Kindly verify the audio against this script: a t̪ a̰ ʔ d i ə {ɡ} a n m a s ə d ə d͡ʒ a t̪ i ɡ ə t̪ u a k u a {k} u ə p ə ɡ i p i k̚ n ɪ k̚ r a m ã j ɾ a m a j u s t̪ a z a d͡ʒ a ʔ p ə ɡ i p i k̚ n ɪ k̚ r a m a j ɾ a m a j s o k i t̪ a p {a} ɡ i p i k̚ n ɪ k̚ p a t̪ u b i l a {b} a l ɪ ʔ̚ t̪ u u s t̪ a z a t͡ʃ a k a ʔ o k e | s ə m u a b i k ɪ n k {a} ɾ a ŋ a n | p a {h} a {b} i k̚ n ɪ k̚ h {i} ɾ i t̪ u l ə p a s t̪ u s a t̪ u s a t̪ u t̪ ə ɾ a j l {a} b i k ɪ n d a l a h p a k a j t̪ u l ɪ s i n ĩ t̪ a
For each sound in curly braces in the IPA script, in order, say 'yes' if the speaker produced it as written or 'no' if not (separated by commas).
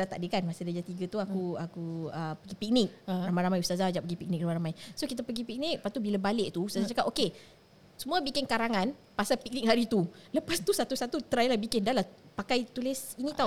no, yes, no, yes, yes, no, no, no, yes